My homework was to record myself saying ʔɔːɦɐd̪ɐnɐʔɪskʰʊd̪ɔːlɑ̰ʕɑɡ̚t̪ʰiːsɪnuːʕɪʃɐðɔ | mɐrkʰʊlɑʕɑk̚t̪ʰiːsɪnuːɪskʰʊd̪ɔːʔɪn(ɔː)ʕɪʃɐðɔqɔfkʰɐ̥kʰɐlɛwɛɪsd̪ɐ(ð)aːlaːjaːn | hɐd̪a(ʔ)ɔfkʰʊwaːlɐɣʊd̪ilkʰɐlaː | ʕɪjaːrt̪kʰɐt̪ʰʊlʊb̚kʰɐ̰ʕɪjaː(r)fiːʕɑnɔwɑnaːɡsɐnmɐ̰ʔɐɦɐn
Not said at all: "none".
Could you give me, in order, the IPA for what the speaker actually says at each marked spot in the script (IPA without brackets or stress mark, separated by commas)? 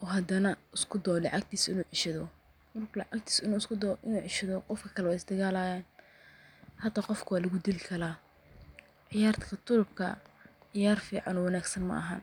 uː, ɣ, q, r